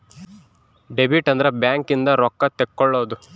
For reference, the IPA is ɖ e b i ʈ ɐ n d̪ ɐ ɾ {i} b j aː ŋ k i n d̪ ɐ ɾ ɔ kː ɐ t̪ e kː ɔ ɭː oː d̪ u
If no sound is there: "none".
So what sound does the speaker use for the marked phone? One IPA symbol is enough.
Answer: e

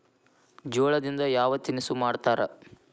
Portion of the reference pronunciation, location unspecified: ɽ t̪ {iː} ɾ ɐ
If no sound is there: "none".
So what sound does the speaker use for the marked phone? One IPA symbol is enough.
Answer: aː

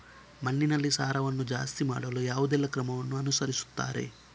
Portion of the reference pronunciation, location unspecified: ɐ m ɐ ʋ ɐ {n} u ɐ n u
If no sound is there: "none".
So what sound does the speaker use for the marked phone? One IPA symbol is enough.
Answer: nː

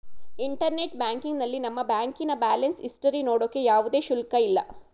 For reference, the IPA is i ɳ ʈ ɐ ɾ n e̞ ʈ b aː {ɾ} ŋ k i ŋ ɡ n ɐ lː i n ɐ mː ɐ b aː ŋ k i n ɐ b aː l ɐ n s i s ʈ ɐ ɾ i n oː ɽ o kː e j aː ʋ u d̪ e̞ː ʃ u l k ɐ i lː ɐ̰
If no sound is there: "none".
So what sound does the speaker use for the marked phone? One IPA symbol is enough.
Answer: none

